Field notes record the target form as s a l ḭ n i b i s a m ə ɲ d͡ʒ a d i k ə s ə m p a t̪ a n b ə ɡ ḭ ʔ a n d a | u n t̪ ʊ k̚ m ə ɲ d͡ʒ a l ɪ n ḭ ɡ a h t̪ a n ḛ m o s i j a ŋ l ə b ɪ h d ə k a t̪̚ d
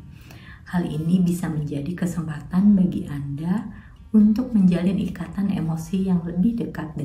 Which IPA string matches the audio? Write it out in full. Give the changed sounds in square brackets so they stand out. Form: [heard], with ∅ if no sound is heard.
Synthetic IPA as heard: [h] a l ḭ n i b i s a m ə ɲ d͡ʒ a d i k ə s ə m p a t̪ a n b [a] ɡ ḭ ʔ a n d a | u n t̪ ʊ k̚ m ə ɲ d͡ʒ a l ɪ n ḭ [k] a [∅] t̪ a n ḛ m o s i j a ŋ l ə b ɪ h d ə k a t̪̚ d